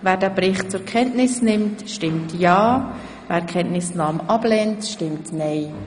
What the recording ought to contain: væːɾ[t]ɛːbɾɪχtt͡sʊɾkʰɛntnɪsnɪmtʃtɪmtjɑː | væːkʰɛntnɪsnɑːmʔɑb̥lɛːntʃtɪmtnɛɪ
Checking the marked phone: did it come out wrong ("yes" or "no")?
yes